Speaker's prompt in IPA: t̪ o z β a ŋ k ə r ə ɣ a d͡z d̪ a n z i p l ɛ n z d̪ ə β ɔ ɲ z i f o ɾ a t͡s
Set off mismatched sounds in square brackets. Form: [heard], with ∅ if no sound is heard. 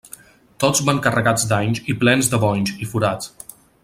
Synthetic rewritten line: t̪ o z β a ŋ k ə r ə ɣ a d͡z d̪ a [ɲ] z i p l ɛ n z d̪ ə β ɔ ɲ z i f [u] ɾ a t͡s